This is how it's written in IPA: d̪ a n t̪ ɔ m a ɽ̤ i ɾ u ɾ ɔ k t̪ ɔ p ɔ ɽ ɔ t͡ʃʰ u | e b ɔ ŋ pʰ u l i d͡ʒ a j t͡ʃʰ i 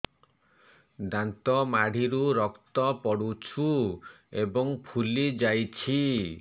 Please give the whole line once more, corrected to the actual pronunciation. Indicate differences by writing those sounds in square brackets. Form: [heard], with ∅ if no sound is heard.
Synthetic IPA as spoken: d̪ a n t̪ ɔ m a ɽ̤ i ɾ u ɾ ɔ k t̪ ɔ p ɔ ɽ [u] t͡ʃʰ u | e b ɔ ŋ pʰ u l i d͡ʒ a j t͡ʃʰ i